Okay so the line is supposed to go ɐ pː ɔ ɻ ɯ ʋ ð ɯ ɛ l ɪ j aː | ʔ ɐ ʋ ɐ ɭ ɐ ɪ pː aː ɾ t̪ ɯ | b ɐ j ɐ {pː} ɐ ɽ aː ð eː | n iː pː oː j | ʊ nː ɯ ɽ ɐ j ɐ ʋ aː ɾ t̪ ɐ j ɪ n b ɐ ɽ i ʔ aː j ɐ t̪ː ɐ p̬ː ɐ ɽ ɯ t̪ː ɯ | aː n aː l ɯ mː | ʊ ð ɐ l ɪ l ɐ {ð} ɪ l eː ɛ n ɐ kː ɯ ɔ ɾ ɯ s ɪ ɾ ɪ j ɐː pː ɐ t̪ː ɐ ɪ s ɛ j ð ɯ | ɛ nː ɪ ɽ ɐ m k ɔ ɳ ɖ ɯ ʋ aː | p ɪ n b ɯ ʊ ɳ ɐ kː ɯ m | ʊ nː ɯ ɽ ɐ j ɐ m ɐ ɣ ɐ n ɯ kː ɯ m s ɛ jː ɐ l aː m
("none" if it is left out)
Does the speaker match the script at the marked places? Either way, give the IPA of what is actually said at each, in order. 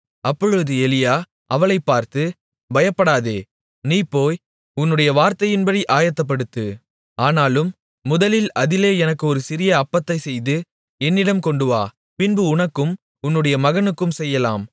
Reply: pː, ð

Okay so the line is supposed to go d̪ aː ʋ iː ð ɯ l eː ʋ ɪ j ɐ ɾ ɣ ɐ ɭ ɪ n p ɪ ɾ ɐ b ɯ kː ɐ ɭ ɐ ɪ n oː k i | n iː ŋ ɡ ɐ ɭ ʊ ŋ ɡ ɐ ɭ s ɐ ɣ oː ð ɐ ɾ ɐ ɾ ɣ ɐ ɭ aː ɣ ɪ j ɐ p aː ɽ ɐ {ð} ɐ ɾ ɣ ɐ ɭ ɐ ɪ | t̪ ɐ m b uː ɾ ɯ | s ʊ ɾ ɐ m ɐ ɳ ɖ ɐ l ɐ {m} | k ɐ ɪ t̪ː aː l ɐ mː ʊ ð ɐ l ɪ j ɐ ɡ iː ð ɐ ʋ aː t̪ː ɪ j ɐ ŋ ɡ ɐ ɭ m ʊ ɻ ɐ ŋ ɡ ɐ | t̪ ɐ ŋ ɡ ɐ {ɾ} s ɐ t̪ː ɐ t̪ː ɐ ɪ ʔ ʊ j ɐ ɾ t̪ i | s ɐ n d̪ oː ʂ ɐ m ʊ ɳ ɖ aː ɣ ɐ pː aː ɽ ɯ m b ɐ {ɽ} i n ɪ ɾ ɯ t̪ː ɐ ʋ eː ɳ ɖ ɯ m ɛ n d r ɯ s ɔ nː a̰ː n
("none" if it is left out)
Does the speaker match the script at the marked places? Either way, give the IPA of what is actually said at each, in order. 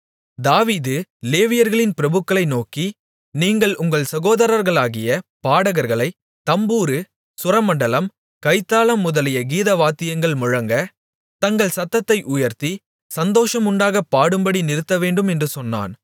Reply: ɣ, m, ɭ, ɽ

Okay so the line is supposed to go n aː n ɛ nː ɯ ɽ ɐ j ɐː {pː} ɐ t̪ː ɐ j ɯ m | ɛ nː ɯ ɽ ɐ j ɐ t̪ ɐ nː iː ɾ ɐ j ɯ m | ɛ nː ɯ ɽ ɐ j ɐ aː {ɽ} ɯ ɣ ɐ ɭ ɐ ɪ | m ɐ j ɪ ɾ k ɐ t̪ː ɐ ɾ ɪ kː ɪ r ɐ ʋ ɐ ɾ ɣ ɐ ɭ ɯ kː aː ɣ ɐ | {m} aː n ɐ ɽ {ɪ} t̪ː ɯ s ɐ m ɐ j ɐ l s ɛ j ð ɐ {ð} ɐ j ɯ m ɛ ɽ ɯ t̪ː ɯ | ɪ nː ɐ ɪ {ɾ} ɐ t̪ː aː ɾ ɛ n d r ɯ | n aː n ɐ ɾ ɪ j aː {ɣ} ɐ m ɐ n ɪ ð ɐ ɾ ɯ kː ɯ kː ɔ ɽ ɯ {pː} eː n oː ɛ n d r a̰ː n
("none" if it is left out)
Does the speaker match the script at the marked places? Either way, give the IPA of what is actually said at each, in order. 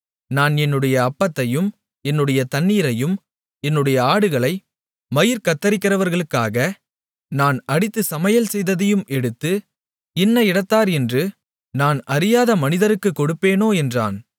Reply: pː, ɽ, n, ɪ, ð, ɽ, ð, pː

